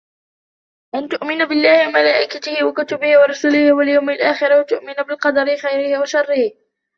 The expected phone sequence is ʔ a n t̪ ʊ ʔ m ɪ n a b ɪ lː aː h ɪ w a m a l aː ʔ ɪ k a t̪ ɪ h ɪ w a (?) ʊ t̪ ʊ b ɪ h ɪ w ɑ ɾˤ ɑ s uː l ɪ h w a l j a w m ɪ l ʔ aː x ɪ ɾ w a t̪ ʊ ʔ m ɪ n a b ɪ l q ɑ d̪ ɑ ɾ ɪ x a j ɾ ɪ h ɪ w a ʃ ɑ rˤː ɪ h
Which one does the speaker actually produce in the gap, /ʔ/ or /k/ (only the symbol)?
k